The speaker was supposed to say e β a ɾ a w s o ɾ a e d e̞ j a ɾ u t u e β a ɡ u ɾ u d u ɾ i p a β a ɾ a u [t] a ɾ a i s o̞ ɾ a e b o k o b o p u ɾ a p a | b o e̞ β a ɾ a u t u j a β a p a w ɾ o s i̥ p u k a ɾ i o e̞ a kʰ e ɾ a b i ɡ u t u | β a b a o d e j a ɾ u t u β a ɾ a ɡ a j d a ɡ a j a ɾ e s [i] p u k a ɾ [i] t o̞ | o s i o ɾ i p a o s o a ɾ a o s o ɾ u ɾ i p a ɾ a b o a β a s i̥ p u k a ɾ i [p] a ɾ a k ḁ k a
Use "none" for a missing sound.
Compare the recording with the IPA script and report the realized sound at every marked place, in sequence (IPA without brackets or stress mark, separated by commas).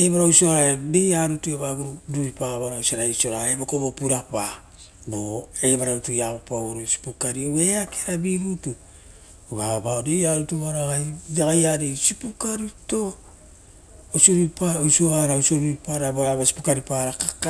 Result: s, i, i, p